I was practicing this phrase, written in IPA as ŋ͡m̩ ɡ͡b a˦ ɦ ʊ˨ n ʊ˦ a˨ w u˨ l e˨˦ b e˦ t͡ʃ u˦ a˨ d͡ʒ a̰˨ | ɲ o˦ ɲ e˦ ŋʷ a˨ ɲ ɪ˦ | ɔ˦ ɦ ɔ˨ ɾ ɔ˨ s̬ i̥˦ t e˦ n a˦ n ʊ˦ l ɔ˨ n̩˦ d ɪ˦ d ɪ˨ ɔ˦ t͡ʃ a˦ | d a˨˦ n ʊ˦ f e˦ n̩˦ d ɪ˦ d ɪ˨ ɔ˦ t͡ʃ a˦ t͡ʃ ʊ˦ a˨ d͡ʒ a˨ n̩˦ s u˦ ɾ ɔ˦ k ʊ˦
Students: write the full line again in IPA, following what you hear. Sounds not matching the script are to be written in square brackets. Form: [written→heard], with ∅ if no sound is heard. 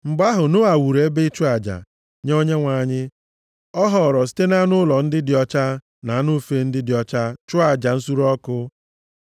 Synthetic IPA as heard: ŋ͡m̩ ɡ͡b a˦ ɦ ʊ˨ n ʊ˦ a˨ w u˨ [l→ɾ] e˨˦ b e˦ t͡ʃ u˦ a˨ d͡ʒ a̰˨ | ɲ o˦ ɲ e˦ ŋʷ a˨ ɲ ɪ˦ | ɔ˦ ɦ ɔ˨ ɾ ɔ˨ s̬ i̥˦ t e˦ n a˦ n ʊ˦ l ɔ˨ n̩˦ d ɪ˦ d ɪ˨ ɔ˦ t͡ʃ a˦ | [d→n] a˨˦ n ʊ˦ f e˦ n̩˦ d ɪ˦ d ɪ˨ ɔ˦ t͡ʃ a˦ t͡ʃ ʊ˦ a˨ d͡ʒ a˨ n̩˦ s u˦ ɾ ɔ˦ k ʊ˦